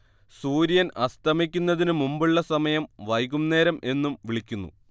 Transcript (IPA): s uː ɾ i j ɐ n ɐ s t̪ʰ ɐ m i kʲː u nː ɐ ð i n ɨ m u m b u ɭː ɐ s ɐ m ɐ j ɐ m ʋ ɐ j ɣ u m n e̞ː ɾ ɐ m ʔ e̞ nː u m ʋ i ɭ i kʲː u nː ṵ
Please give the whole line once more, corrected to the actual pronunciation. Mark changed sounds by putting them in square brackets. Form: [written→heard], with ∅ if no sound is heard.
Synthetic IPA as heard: s uː ɾ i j ɐ n ɐ s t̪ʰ ɐ m i kʲː u nː ɐ ð i n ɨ m u m b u ɭː ɐ s ɐ m ɐ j ɐ m ʋ ɐ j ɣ u m n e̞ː ɾ ɐ m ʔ e̞ nː u m ʋ i ɭ i kʲː u nː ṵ